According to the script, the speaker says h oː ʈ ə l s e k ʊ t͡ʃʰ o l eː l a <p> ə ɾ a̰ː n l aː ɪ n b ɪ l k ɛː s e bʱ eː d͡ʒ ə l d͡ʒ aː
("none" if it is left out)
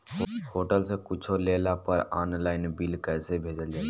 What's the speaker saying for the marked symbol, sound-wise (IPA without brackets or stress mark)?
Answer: p